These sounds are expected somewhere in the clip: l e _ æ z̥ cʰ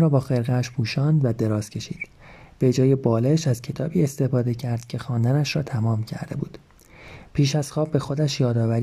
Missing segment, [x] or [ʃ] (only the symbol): ʃ